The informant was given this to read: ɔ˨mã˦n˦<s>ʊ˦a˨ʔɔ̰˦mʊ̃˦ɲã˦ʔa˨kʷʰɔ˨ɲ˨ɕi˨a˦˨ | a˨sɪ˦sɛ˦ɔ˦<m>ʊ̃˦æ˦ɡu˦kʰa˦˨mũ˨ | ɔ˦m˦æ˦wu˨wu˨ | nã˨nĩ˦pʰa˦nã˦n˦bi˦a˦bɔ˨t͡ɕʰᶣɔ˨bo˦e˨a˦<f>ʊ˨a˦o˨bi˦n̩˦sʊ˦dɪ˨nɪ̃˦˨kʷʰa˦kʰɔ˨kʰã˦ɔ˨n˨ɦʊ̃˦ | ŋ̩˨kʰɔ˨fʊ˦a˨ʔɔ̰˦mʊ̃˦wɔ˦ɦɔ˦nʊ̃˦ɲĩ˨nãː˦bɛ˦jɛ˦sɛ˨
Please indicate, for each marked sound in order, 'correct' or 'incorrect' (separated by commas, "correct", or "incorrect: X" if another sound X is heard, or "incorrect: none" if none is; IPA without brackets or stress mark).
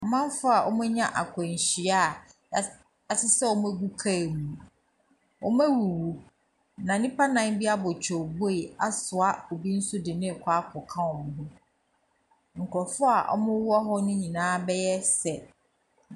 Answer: incorrect: f, correct, incorrect: s